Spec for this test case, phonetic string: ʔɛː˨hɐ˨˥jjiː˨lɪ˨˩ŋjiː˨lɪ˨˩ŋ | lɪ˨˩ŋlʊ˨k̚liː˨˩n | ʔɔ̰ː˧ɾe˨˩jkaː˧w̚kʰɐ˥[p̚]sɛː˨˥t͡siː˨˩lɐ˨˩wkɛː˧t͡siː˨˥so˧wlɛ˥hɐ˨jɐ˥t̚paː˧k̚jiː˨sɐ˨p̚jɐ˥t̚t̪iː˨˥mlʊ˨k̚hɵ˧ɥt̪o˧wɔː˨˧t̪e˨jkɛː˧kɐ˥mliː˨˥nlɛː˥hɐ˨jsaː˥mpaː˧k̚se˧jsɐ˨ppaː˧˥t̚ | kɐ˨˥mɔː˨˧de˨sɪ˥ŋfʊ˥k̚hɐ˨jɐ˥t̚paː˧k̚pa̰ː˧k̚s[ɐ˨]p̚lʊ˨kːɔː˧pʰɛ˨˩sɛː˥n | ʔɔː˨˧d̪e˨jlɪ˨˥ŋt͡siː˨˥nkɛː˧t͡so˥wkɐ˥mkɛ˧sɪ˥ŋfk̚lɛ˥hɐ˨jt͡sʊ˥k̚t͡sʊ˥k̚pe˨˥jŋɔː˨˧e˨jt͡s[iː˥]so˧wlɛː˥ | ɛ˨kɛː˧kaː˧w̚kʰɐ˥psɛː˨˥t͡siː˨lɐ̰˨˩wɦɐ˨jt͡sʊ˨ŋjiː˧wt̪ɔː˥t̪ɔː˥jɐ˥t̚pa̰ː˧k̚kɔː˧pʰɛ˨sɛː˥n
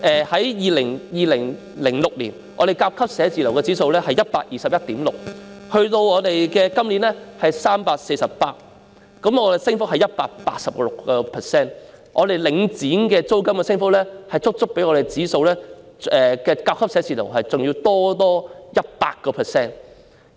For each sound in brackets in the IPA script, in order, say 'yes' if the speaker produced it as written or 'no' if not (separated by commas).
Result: yes, yes, no